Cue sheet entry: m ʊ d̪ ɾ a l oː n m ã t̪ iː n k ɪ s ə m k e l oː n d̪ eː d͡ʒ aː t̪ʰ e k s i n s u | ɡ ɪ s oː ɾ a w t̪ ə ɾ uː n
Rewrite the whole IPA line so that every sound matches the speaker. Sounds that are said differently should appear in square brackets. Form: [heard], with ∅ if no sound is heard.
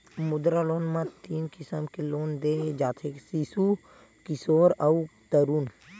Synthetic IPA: m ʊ d̪ ɾ a l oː n m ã t̪ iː n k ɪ s ə m k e l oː n d̪ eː d͡ʒ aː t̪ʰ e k s i [∅] s u | [k] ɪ s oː ɾ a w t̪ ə ɾ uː n